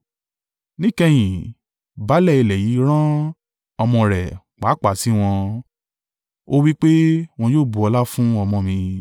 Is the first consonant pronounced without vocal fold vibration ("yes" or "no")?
no